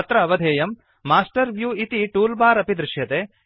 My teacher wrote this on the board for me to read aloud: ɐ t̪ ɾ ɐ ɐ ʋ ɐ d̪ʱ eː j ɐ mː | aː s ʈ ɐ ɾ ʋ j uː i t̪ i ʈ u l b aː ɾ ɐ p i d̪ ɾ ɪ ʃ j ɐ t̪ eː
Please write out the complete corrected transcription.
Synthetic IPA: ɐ t̪ ɾ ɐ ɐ ʋ ɐ d̪ʱ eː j ɐ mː | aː s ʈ ɐ ɾ ʋ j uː i t̪ i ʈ uː l b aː ɾ ɐ p i d̪ ɾ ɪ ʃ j ɐ t̪ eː